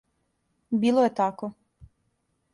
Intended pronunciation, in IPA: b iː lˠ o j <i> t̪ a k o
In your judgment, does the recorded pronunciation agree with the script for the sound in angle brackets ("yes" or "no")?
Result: no